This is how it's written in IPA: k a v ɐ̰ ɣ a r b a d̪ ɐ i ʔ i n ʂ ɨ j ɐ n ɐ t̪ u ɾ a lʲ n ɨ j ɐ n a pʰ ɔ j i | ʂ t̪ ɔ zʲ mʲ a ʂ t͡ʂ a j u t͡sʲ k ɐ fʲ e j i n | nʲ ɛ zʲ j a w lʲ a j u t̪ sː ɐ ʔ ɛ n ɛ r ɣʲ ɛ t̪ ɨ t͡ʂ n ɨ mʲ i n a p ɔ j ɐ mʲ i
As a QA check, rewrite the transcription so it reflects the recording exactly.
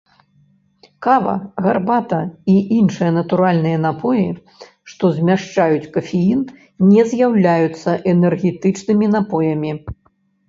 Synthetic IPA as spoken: k a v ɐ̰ ɣ a r b a t̪ ɐ i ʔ i n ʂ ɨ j ɐ n ɐ t̪ u ɾ a lʲ n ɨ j ɐ n a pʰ ɔ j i | ʂ t̪ ɔ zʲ mʲ a ʂ t͡ʂ a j u t͡sʲ k ɐ fʲ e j i n | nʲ ɛ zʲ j a w lʲ a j u t̪ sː ɐ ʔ ɛ n ɛ r ɣʲ ɛ t̪ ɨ t͡ʂ n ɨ mʲ i n a p ɔ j ɐ mʲ i

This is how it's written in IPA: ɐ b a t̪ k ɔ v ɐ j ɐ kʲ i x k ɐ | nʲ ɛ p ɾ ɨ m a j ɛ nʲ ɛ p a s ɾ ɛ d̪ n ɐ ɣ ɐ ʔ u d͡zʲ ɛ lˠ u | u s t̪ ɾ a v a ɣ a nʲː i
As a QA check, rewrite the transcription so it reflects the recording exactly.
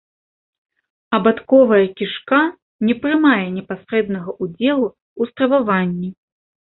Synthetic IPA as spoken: ɐ b a t̪ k ɔ v ɐ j ɐ kʲ i ʂ k a | nʲ ɛ p ɾ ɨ m a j ɛ nʲ ɛ p a s ɾ ɛ d̪ n ɐ ɣ ɐ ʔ u d͡zʲ ɛ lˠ u | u s t̪ ɾ ɐ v a v a nʲː i

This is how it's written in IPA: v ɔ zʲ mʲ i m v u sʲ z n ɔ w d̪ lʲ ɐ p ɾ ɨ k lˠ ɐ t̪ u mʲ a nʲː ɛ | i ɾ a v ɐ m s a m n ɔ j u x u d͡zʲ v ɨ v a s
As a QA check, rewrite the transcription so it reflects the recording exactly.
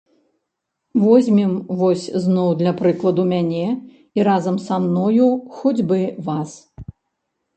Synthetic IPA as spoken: v ɔ zʲ mʲ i m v ɔ sʲ z n ɔ w d̪ lʲ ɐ p ɾ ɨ k lˠ ɐ d̪ u mʲ a nʲ ɛ | i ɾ a z ɐ m s a m n ɔ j u x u d͡zʲ b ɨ v a s

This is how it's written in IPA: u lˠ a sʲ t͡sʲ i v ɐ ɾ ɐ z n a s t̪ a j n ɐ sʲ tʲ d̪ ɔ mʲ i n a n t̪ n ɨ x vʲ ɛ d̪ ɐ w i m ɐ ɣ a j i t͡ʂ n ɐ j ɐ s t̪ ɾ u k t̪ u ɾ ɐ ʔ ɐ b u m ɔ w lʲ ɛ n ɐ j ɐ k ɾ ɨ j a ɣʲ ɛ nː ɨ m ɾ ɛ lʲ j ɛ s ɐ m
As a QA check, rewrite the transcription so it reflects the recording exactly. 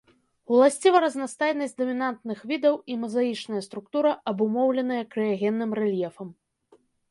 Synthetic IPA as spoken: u lˠ a sʲ t͡sʲ i v ɐ ɾ ɐ z n a s t̪ a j n ɐ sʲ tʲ d̪ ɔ mʲ i n a n t̪ n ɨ x vʲ i d̪ ɐ w i m ɐ z a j i t͡ʂ n ɐ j ɐ s t̪ ɾ u k t̪ u ɾ ɐ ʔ ɐ b u m ɔ w lʲ ɛ n ɐ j ɐ k ɾ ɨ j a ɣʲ ɛ nː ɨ m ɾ ɛ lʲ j ɛ f ɐ m

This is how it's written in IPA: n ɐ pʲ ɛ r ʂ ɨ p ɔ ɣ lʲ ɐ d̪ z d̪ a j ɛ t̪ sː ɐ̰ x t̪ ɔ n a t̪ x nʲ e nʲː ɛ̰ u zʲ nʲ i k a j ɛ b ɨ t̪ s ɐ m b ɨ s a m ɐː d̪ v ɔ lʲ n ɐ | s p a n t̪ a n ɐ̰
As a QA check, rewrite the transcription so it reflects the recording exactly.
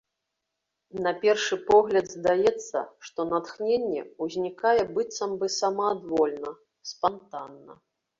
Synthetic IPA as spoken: n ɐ pʲ ɛ r ʂ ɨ p ɔ ɣ lʲ ɐ d̪ z d̪ a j ɛ t̪ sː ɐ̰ ʂ t̪ ɔ n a t̪ x nʲ e nʲː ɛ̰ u zʲ nʲ i k a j ɛ b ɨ t̪ s ɐ m b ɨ s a m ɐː d̪ v ɔ lʲ n ɐ | s p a n t̪ a nː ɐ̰

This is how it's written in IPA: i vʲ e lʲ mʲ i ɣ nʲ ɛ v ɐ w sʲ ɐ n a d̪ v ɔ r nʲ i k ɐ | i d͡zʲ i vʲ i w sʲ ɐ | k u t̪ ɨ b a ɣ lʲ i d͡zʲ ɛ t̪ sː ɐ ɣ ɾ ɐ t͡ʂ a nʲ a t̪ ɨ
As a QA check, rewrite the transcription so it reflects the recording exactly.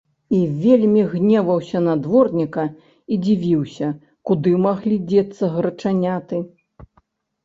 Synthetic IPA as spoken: i vʲ e lʲ mʲ i ɣ nʲ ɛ v ɐ w sʲ ɐ n a d̪ v ɔ r nʲ i k ɐ | i d͡zʲ i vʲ i w sʲ ɐ | k u d̪ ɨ m a ɣ lʲ i d͡zʲ ɛ t̪ sː ɐ ɣ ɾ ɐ t͡ʂ a nʲ a t̪ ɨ

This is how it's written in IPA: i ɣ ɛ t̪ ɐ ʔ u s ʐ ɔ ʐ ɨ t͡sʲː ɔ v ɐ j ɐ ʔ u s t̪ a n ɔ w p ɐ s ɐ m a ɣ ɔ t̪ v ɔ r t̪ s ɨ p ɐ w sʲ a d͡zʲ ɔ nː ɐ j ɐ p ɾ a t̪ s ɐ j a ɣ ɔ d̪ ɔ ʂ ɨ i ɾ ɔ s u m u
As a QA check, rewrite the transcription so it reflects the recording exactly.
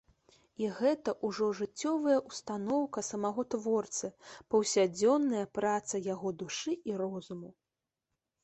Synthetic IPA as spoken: i ɣ ɛ t̪ ɐ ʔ u ʐ ɔ ʐ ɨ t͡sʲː ɔ v ɐ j ɐ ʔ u s t̪ a n ɔ w k ɐ s ɐ m a ɣ ɔ t̪ v ɔ r t̪ s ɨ p ɐ w sʲ a d͡zʲ ɔ nː ɐ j ɐ p ɾ a t̪ s ɐ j a ɣ ɔ d̪ u ʂ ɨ i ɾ ɔ z u m u

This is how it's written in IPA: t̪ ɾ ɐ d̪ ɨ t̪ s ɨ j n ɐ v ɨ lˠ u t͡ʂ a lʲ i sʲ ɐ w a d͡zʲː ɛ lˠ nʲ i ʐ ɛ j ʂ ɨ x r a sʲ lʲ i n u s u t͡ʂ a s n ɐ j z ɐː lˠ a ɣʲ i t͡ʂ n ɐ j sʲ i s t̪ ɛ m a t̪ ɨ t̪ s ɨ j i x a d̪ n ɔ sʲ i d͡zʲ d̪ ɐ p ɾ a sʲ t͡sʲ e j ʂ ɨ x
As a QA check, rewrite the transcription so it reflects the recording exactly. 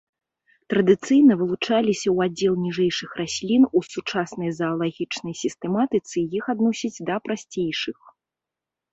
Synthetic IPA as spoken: t̪ ɾ ɐ d̪ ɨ t̪ s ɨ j n ɐ v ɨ lˠ u t͡ʂ a lʲ i sʲ ɐ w a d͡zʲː ɛ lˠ nʲ i ʐ ɛ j ʂ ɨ x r a sʲ lʲ i n u s u t͡ʂ a s n ɐ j z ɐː lˠ a ɣʲ i t͡ʂ n ɐ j sʲ i s t̪ ɛ m a t̪ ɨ t̪ s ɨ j i x a d̪ n ɔ sʲ i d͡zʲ d̪ ɐ p ɾ a sʲ t͡sʲ e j ʂ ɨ x

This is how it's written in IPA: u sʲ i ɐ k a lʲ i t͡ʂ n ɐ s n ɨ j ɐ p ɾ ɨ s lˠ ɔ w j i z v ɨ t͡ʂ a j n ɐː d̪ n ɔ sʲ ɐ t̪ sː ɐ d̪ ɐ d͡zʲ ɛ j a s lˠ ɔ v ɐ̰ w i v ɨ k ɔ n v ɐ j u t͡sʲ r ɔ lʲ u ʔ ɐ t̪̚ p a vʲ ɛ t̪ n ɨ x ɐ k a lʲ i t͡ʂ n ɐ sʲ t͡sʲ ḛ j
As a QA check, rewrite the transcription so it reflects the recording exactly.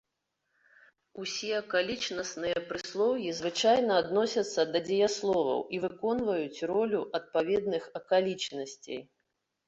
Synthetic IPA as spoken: u sʲ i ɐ k a lʲ i t͡ʂ n ɐ s n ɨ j ɐ p ɾ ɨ s lˠ ɔ w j i z v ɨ t͡ʂ a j n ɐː d̪ n ɔ sʲ ɐ t̪ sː ɐ d̪ ɐ d͡zʲ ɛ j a s lˠ ɔ v ɐ̰ w i v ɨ k ɔ n v ɐ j u t͡sʲ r ɔ lʲ u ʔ ɐ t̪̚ p a vʲ ɛ d̪ n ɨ x ɐ k a lʲ i t͡ʂ n ɐ sʲ t͡sʲ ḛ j

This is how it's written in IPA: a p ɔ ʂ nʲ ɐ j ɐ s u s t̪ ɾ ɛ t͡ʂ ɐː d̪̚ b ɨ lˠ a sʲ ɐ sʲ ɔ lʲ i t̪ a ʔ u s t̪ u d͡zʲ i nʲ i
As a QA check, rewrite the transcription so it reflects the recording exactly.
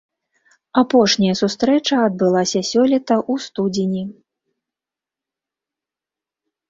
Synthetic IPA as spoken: a p ɔ ʂ nʲ ɐ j ɐ s u s t̪ ɾ ɛ t͡ʂ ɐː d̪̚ b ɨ lˠ a sʲ ɐ sʲ ɔ lʲ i t̪ ɐ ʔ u s t̪ u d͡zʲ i nʲ i

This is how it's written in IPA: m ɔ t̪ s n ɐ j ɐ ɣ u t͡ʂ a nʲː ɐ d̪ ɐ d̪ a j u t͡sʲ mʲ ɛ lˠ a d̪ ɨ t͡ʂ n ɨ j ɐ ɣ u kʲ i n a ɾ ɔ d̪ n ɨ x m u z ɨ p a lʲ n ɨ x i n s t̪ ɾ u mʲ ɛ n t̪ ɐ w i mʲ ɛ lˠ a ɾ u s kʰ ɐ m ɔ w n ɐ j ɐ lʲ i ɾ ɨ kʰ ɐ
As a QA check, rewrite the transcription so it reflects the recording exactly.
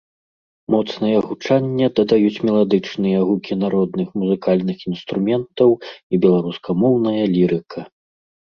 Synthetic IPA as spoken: m ɔ t̪ s n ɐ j ɐ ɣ u t͡ʂ a nʲː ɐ d̪ ɐ d̪ a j u t͡sʲ mʲ ɛ lˠ a d̪ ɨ t͡ʂ n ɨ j ɐ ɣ u kʲ i n a ɾ ɔ d̪ n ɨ x m u z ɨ k a lʲ n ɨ x i n s t̪ ɾ u mʲ ɛ n t̪ ɐ w i bʲ ɛ lˠ a ɾ u s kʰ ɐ m ɔ w n ɐ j ɐ lʲ i ɾ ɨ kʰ ɐ

